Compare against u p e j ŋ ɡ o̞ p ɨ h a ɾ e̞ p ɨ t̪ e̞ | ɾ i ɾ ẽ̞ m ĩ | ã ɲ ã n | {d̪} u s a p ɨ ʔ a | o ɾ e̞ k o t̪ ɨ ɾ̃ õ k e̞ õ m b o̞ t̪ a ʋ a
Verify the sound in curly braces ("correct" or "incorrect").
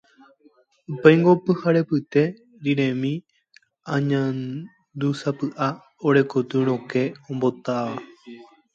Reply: correct